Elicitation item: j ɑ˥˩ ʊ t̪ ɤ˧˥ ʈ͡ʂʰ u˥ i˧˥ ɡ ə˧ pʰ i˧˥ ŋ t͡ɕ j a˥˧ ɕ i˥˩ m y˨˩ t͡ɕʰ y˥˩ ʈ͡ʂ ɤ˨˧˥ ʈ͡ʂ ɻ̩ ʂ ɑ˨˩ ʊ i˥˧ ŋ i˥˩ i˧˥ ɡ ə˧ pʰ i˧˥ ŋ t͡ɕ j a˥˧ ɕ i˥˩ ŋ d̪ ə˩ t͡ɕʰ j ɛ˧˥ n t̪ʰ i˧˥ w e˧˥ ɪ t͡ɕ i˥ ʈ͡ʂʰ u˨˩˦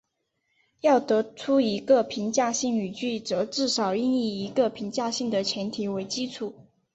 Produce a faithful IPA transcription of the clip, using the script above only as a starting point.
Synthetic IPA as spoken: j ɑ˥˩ ʊ t̪ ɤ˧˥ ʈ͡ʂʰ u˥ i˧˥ ɡ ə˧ pʰ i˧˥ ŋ t͡ɕ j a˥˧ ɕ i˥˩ ŋ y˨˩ t͡ɕ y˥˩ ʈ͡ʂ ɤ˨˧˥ ʈ͡ʂ ɻ̩ ʂ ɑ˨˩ ʊ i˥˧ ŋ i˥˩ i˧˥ ɡ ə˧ pʰ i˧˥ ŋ t͡ɕ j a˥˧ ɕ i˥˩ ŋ d̪ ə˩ t͡ɕʰ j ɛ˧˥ n t̪ʰ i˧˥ w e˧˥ ɪ t͡ɕ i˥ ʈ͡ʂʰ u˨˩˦